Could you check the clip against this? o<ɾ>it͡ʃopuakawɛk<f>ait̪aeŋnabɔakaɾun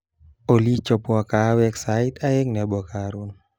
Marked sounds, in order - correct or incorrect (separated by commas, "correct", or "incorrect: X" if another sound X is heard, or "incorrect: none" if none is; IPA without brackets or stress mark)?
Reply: incorrect: l, incorrect: s